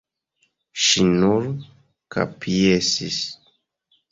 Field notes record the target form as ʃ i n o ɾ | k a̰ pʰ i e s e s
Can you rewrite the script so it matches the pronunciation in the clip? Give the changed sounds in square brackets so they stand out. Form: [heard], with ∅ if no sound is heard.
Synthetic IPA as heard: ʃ i n [u] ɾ | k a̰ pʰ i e s [i] s